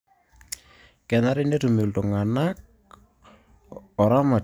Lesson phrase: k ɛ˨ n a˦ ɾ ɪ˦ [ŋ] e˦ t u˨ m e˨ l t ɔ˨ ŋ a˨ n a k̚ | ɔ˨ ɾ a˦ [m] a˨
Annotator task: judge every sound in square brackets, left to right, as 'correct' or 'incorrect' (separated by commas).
incorrect, correct